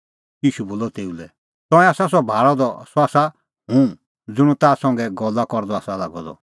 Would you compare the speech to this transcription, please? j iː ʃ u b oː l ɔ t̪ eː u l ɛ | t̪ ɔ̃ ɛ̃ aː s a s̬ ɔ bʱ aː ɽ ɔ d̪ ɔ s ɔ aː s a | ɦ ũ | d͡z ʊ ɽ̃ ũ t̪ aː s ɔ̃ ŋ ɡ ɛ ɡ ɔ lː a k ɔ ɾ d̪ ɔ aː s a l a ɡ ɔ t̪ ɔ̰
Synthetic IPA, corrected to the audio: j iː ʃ u b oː l ɔ t̪ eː u l ɛ | t̪ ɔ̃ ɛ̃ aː s a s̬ ɔ bʱ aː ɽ ɔ d̪ ɔ s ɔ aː s a | ɦ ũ | d͡z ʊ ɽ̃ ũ t̪ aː s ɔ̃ ŋ ɡ ɛ ɡ ɔ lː a k ɔ ɾ d̪ ɔ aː s a l a ɡ ɔ d̪ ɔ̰